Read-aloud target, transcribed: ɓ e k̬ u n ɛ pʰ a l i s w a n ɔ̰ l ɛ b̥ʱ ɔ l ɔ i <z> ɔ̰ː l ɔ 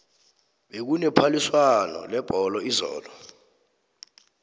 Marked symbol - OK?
yes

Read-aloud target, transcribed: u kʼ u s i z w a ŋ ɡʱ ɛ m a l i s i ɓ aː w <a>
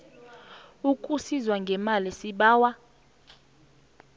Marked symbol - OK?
yes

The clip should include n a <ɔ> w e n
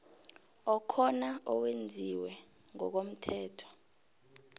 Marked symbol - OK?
yes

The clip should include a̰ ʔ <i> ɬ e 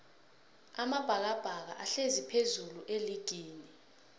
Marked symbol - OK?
no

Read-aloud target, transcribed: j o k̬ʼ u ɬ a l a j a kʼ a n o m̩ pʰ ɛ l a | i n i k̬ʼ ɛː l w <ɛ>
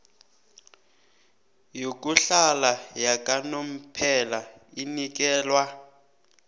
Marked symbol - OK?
no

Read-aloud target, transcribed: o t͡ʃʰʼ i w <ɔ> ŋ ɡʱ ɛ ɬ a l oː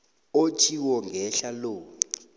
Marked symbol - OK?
yes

